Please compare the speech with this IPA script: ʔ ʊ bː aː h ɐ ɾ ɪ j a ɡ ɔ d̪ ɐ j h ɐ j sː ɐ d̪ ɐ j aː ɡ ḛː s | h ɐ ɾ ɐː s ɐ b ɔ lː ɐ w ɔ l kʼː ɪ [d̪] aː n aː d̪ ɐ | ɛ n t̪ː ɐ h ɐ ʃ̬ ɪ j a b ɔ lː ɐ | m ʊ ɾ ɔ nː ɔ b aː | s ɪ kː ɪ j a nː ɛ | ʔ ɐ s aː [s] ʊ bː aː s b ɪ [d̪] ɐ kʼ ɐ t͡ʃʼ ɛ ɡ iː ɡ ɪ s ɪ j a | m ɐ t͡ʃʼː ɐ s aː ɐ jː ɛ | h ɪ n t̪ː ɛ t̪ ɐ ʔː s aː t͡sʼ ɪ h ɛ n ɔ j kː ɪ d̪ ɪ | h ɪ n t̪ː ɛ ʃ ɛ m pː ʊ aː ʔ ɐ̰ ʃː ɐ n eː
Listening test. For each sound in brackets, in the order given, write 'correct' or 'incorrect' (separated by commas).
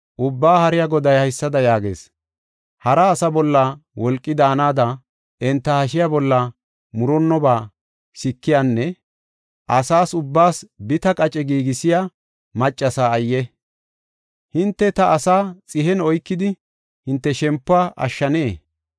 correct, correct, incorrect